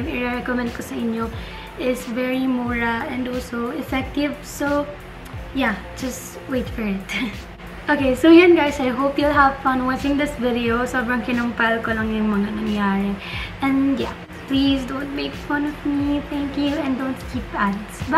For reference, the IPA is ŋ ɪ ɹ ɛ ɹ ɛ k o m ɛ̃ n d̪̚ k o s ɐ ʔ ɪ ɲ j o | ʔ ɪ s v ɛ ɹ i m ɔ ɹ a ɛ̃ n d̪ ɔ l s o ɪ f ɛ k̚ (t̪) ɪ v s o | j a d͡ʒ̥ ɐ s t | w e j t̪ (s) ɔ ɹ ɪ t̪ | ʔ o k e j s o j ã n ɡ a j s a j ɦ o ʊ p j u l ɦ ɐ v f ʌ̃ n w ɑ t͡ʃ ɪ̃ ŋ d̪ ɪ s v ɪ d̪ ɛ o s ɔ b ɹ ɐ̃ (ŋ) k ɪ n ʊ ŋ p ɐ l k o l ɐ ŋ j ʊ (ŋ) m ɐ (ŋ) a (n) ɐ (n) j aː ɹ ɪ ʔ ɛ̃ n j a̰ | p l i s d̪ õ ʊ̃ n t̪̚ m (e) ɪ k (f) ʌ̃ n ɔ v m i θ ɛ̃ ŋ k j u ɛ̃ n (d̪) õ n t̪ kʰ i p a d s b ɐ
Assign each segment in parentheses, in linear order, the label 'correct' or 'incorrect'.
correct, incorrect: f, correct, correct, correct, correct, incorrect: ŋ, correct, correct, correct

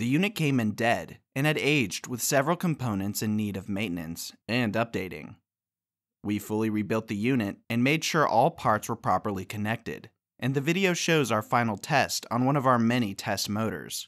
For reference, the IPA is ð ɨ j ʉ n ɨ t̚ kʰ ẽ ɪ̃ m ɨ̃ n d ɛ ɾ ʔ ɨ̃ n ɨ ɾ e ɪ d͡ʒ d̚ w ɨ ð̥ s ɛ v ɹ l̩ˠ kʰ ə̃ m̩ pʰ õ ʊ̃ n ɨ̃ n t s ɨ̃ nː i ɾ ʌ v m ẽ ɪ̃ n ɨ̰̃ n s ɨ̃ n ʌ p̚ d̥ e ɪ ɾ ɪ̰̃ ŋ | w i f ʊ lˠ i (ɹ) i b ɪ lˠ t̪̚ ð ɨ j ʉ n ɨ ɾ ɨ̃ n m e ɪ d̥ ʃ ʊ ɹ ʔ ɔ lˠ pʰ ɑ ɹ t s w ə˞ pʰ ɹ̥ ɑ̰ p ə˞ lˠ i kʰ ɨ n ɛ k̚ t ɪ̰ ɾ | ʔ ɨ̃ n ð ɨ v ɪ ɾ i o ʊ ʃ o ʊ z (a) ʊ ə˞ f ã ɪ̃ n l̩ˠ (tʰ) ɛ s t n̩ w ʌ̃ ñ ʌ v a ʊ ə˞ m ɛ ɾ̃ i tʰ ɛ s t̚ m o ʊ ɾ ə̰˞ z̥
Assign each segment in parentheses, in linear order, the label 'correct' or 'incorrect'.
correct, correct, correct

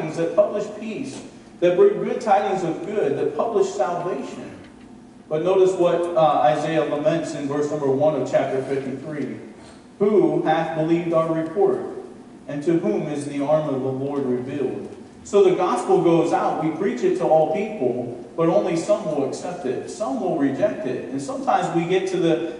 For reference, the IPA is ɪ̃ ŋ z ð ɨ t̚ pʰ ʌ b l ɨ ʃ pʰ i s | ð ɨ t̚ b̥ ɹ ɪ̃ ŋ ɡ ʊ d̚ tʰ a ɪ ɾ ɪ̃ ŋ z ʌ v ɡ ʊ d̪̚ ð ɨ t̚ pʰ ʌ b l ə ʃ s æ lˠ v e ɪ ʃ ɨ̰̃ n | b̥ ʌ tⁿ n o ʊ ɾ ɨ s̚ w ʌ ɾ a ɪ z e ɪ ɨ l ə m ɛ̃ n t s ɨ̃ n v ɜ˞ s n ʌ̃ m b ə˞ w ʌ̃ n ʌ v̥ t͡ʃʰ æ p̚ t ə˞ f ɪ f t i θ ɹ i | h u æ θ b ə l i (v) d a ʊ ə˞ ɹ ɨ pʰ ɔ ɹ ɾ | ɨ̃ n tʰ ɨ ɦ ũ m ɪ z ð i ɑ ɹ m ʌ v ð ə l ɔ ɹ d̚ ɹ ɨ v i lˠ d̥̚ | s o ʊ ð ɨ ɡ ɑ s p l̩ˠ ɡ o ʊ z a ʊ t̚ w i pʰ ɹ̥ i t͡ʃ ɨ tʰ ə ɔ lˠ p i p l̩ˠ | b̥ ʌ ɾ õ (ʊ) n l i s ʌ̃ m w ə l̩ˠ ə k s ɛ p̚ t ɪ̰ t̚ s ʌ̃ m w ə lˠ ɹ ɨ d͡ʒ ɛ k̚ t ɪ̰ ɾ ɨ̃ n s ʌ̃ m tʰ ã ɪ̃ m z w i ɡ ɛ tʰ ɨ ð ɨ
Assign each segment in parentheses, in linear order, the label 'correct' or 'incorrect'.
correct, incorrect: ʊ̃

